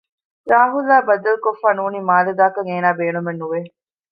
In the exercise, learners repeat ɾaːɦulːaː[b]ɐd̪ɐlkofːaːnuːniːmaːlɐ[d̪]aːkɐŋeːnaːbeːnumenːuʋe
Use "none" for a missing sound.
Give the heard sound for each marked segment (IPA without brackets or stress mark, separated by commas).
b, d̪